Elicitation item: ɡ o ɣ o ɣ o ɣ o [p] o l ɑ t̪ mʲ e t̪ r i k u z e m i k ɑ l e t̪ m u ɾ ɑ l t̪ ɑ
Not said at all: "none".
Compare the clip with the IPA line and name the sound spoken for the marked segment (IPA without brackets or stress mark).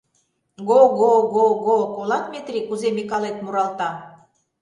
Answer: k